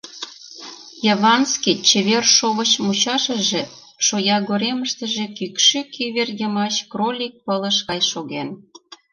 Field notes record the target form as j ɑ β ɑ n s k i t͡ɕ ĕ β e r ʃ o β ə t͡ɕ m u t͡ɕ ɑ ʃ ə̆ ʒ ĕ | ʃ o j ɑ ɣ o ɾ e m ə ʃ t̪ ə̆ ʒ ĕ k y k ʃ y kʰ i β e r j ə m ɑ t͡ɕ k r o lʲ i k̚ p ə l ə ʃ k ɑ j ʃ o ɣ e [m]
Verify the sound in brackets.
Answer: incorrect: n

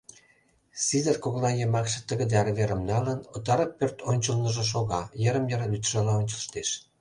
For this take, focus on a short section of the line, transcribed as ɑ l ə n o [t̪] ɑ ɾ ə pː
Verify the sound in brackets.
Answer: correct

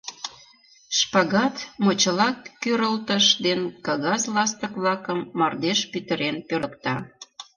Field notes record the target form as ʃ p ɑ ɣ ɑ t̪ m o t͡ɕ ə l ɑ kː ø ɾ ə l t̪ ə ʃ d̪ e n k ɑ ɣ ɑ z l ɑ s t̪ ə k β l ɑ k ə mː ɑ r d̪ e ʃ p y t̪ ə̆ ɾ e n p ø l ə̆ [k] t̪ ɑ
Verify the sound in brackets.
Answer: correct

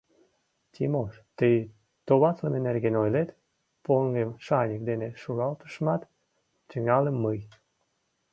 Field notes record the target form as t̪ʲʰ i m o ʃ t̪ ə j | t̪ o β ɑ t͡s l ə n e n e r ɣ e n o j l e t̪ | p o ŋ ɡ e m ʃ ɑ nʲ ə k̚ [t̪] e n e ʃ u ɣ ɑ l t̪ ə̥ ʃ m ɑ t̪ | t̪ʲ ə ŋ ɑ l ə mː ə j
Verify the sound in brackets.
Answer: incorrect: d̪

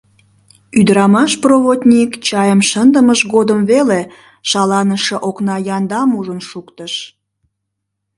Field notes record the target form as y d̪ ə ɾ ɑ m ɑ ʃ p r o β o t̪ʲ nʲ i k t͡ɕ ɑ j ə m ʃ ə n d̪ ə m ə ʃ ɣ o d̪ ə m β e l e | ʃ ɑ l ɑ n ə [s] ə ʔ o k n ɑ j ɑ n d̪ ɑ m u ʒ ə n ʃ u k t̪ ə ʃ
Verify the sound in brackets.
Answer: incorrect: ʃ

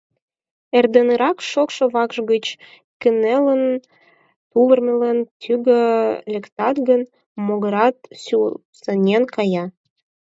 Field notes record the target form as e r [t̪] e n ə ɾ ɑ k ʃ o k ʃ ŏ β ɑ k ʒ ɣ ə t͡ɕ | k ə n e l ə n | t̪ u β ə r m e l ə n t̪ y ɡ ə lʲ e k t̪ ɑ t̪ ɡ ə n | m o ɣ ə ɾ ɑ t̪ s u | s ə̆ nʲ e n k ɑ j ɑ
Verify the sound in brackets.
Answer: incorrect: d̪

